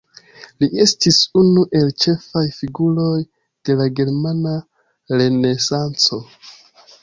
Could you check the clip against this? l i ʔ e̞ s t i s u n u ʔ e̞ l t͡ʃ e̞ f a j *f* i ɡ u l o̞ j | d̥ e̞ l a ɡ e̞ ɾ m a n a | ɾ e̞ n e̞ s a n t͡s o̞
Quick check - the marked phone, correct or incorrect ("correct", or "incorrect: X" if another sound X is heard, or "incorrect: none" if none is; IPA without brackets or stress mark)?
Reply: correct